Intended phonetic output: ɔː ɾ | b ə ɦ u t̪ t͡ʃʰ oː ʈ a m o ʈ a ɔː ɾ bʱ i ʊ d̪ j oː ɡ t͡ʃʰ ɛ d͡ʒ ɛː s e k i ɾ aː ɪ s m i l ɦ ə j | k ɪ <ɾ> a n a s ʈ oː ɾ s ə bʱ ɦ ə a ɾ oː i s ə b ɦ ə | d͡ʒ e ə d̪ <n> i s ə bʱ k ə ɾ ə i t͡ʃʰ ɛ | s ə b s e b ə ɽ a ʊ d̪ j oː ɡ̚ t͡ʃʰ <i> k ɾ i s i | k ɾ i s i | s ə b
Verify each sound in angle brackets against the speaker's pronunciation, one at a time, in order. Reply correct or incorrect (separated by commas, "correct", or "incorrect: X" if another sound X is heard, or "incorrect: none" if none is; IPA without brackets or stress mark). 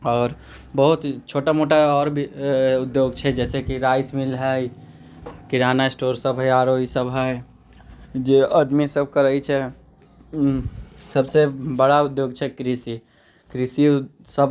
correct, incorrect: m, incorrect: ɛ